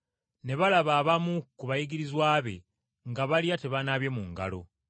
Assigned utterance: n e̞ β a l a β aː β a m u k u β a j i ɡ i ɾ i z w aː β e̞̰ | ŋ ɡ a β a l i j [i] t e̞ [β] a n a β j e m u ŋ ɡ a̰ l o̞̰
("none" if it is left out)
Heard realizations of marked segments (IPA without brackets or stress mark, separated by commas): a, β